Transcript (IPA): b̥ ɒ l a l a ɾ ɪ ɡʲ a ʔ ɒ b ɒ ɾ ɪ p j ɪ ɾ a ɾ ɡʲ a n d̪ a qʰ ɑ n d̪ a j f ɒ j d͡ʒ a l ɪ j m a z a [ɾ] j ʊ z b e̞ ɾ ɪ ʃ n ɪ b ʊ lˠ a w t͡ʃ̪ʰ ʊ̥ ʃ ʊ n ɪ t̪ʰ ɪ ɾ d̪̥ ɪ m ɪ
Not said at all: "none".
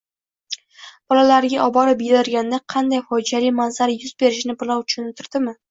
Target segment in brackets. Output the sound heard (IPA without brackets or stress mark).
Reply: ɾ